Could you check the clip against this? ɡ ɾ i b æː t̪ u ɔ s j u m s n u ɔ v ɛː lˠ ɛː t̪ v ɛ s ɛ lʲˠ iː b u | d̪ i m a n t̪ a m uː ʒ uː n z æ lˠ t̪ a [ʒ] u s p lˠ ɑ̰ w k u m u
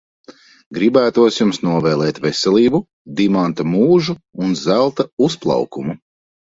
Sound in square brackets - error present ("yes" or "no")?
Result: yes